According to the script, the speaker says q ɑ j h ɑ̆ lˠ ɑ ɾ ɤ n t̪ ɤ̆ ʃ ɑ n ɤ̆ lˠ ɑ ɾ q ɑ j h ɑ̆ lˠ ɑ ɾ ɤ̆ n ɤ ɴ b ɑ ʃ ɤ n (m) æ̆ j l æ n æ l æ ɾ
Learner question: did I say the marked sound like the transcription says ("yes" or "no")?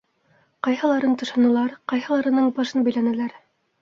no